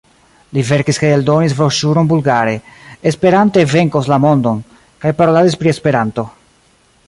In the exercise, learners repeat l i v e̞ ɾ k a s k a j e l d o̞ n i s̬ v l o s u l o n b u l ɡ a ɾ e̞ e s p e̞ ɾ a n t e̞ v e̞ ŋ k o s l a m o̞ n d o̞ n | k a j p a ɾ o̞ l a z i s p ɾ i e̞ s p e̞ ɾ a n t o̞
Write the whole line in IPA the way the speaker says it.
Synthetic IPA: l i v e̞ ɾ k i s k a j e l d o̞ n i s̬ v ɾ o ʃ u ɾ o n b u l ɡ a ɾ e̞ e s p e̞ ɾ a n t e̞ v e̞ ŋ k o s l a m o̞ n d o̞ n | k a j p a ɾ o̞ l a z i s p ɾ i e̞ s p e̞ ɾ a n t o̞